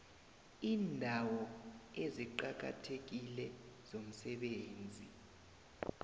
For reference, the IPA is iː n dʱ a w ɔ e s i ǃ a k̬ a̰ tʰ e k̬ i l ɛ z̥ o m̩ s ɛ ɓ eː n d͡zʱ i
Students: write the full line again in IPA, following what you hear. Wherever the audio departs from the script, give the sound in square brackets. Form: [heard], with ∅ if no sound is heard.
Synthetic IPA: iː n dʱ a w ɔ e [z] i ǃ a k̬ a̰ tʰ e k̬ i l ɛ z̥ o m̩ s ɛ ɓ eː n d͡zʱ i

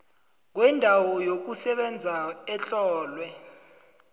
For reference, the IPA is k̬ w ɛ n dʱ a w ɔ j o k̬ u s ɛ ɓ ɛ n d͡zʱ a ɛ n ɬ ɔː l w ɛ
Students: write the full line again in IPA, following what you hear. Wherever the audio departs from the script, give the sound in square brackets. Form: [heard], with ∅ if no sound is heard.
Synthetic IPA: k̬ w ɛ n dʱ a w ɔ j o k̬ u s ɛ ɓ ɛ n d͡zʱ a ɛ [∅] ɬ ɔː l w ɛ

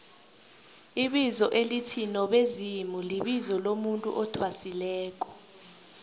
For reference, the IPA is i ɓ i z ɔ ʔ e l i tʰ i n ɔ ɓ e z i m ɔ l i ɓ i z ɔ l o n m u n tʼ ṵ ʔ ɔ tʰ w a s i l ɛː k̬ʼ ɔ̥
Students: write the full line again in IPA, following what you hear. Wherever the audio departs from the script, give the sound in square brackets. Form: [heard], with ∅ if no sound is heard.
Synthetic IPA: i ɓ i z ɔ ʔ e l i tʰ i n ɔ ɓ e z i m [u] l i ɓ i z ɔ l o [∅] m u n tʼ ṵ ʔ ɔ tʰ w a s i l ɛː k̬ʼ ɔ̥

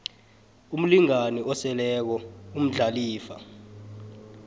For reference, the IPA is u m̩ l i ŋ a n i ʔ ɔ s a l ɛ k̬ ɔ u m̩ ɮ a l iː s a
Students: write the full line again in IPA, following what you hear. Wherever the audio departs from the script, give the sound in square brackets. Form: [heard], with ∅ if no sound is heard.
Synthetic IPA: u m̩ l i ŋ a n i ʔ ɔ s [ɛ] l ɛ k̬ ɔ u m̩ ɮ a l iː [f] a

